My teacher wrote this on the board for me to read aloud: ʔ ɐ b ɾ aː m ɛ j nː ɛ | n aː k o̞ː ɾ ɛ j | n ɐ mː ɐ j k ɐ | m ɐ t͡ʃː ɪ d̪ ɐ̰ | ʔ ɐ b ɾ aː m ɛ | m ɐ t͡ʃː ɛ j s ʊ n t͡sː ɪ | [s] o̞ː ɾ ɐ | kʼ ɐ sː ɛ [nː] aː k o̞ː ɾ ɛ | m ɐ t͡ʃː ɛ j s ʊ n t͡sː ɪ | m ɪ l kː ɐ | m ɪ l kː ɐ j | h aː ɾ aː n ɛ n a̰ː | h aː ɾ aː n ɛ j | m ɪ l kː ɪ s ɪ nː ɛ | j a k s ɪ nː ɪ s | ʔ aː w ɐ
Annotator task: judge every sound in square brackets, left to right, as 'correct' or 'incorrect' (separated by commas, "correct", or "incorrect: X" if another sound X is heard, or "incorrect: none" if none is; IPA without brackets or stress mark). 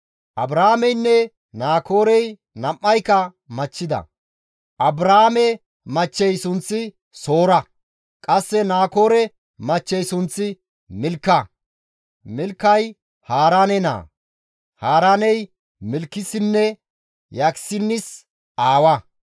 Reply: correct, incorrect: n